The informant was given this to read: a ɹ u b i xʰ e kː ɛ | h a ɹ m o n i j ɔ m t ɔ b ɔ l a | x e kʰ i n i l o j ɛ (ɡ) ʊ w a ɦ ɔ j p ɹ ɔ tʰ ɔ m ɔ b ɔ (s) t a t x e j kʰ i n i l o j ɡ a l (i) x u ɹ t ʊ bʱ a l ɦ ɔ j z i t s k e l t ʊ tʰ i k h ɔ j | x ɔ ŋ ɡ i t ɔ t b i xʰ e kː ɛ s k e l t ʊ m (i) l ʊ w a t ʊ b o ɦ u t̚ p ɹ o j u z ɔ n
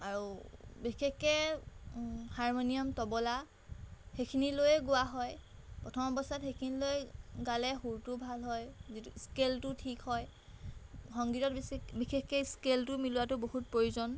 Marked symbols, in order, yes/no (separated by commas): yes, yes, no, yes